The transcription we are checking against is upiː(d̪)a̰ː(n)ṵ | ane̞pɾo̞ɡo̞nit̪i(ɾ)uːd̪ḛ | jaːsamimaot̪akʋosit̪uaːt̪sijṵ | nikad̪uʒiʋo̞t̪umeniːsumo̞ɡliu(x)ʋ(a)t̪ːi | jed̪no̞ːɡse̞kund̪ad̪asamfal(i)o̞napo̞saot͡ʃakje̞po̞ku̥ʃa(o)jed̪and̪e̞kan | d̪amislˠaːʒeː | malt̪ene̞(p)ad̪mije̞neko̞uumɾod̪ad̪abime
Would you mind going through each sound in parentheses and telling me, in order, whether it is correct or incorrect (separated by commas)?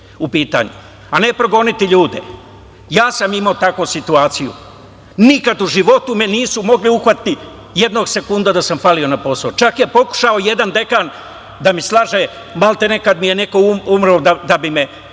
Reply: incorrect, incorrect, incorrect, correct, correct, correct, correct, incorrect